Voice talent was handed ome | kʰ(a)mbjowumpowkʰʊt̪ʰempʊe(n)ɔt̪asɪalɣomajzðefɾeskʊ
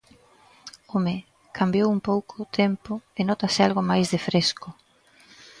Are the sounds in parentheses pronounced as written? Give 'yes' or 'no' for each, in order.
yes, yes

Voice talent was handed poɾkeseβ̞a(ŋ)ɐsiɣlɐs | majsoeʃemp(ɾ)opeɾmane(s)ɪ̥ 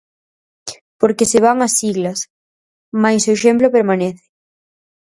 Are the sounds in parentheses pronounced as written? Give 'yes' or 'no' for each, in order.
yes, no, no

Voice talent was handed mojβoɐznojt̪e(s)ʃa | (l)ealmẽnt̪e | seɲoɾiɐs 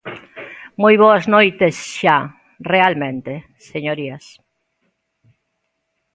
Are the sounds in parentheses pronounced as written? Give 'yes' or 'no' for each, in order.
yes, no

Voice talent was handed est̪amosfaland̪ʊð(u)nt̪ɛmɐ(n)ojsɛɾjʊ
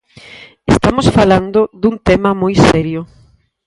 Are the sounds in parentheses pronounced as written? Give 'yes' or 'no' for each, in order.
yes, no

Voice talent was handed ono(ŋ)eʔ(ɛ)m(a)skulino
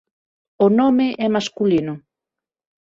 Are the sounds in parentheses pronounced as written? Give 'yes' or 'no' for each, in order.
no, yes, yes

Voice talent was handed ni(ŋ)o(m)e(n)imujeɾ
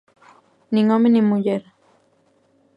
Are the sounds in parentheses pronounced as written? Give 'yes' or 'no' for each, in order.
yes, yes, yes

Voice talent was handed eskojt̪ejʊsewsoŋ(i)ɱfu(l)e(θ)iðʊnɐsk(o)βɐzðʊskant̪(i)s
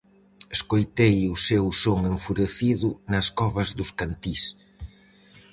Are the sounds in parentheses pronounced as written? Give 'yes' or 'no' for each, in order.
no, no, yes, no, yes

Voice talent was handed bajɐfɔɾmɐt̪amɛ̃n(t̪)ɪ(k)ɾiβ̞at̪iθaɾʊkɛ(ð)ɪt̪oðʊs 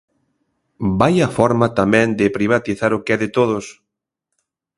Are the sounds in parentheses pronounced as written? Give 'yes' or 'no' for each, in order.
no, no, yes

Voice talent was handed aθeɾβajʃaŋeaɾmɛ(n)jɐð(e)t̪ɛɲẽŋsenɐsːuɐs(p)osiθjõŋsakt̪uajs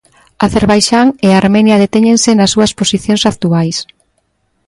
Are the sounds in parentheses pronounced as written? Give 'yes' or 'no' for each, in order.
yes, yes, yes

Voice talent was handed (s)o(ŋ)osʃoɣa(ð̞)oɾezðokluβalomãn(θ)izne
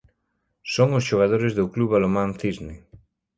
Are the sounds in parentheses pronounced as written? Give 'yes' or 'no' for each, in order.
yes, yes, yes, yes

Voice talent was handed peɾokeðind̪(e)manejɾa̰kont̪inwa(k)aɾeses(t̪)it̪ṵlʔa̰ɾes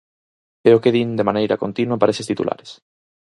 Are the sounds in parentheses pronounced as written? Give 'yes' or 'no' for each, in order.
yes, no, yes

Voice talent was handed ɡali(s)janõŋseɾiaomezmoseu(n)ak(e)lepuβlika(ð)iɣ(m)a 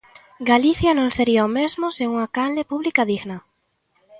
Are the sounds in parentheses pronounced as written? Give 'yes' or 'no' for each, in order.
no, no, no, yes, no

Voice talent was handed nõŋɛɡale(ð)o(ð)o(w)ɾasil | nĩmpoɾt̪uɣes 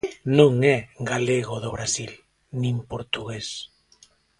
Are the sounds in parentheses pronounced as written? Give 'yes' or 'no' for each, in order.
no, yes, no

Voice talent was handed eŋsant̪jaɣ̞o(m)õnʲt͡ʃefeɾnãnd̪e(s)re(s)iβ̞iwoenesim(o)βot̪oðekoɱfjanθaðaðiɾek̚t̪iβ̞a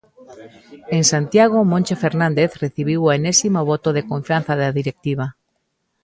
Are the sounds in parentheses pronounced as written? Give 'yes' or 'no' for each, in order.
yes, no, no, yes

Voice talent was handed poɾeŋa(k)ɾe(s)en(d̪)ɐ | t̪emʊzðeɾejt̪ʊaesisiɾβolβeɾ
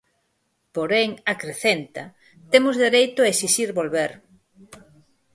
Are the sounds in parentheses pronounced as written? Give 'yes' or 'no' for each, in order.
yes, no, no

